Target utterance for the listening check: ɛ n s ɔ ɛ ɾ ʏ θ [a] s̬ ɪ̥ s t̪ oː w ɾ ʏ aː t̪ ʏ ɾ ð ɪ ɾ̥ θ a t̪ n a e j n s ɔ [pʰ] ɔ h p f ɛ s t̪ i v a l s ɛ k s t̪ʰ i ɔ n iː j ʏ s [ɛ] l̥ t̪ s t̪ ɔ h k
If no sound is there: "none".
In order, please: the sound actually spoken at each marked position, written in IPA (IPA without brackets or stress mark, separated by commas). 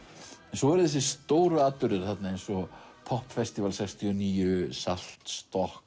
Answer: ɛ, pʰ, a